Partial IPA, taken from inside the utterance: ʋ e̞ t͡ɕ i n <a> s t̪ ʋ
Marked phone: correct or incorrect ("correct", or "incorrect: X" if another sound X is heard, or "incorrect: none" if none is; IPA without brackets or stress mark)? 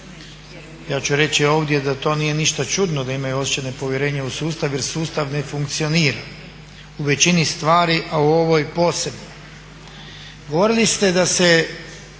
incorrect: i